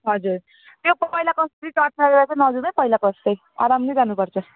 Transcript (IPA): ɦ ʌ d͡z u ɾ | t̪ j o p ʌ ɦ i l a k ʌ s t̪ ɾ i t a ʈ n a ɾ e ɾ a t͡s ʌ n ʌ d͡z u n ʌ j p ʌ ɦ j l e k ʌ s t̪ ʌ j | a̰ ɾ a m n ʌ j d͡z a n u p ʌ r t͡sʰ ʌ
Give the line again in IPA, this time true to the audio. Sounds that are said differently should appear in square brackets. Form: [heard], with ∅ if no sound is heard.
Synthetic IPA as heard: ɦ ʌ d͡z u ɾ | t̪ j o p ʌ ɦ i l a k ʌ s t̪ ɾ i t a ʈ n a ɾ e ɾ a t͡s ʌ n ʌ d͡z u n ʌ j p ʌ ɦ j l [a] k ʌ s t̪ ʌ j | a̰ ɾ a m n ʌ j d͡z a n u p ʌ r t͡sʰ ʌ